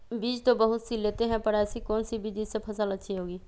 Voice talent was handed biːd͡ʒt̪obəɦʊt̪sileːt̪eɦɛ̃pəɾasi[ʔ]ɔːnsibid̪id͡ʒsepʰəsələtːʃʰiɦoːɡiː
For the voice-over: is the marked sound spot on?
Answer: no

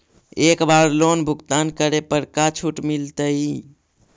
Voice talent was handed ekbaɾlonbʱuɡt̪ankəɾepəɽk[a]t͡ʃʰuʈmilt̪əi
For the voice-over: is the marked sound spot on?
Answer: yes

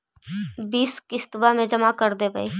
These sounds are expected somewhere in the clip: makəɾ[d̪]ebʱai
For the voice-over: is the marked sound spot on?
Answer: yes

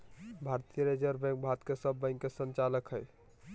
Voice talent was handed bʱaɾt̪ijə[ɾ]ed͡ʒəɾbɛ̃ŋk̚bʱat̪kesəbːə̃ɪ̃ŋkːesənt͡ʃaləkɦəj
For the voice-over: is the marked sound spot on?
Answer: yes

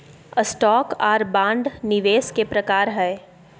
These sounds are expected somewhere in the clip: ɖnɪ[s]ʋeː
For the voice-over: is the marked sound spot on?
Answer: no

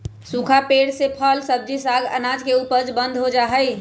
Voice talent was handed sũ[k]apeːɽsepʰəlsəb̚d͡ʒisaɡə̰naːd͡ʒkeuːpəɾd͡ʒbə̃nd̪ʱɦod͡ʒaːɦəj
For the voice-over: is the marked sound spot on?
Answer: no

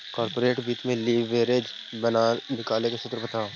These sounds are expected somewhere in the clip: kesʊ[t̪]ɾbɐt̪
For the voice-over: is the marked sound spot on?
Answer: yes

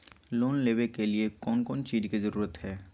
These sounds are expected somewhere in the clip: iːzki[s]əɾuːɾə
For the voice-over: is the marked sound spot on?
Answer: no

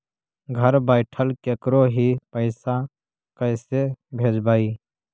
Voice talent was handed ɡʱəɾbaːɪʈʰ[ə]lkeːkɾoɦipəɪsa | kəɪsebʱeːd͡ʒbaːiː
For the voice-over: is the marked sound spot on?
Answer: yes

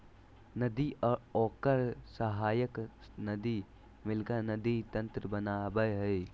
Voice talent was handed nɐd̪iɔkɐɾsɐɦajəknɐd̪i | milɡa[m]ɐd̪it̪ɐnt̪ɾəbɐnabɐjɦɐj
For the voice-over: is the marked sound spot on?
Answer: no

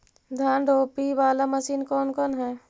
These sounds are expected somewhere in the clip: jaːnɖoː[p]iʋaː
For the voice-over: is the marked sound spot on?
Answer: yes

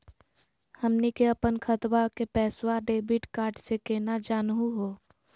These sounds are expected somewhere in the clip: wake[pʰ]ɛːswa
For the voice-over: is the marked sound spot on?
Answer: no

